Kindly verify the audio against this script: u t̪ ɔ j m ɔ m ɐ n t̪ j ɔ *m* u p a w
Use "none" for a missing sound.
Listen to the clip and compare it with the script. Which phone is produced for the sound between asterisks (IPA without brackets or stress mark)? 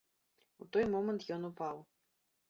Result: n